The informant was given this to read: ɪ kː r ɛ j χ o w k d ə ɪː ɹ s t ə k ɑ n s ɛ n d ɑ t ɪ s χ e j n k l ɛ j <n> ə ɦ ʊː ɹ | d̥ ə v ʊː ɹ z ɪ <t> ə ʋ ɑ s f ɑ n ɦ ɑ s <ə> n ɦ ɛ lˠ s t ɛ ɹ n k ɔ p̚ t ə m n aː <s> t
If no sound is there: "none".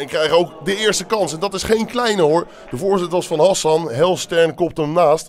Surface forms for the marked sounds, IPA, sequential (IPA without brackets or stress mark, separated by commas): n, t, ɑ, s